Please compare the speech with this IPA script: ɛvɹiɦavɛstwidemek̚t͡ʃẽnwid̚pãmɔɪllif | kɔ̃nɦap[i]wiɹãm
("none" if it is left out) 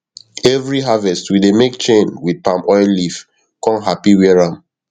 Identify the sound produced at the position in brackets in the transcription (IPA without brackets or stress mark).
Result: i